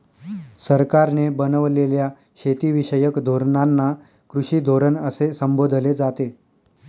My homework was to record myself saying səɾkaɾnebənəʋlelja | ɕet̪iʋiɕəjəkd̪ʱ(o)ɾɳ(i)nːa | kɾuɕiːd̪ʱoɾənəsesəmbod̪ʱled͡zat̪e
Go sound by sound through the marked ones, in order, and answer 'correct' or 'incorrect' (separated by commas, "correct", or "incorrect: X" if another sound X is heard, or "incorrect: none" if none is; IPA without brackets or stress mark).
correct, incorrect: a